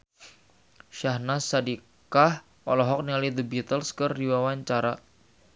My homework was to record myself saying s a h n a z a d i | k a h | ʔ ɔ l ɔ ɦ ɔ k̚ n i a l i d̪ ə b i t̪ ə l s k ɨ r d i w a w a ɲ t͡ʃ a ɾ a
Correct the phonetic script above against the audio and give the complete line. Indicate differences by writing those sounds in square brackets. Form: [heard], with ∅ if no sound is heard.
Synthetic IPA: [ʃ] a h n a [s] a d i | k a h | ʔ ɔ l ɔ ɦ ɔ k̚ n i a l i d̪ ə b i t̪ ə l s k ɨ r d i w a w a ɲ t͡ʃ a ɾ a